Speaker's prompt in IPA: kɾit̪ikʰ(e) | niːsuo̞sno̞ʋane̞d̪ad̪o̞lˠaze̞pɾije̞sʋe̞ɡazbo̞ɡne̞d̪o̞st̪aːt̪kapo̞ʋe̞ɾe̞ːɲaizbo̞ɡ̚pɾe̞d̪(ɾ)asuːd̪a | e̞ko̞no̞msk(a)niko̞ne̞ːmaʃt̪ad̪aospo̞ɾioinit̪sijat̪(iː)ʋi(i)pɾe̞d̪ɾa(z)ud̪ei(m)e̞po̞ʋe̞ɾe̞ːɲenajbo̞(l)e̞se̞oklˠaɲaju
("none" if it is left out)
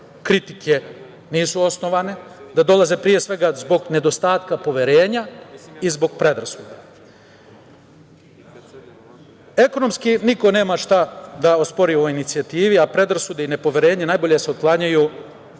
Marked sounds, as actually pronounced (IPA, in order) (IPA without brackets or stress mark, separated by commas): e, ɾ, i, iː, a, s, n, ʎ